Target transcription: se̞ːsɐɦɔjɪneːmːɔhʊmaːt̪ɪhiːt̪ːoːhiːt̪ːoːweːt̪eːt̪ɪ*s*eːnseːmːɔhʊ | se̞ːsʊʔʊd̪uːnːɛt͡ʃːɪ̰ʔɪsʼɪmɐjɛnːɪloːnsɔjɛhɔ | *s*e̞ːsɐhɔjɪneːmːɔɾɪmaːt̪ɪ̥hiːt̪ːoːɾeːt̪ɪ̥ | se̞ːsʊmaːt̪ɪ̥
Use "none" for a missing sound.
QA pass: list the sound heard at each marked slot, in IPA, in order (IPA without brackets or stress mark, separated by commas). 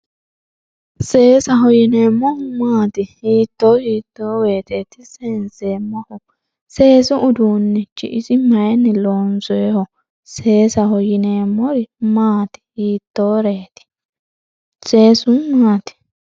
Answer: s, s